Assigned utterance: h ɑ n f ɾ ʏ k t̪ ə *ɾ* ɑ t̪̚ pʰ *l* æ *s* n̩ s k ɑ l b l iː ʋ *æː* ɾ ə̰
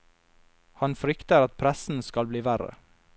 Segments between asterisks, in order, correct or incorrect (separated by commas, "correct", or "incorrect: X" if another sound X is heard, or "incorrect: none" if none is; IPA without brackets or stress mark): correct, incorrect: ɾ, correct, incorrect: æ